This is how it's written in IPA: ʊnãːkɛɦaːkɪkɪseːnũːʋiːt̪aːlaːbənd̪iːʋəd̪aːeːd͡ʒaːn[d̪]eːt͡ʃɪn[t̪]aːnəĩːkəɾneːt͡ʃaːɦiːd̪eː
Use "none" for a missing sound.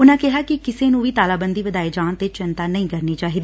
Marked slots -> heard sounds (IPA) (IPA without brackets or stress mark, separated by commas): t̪, t̪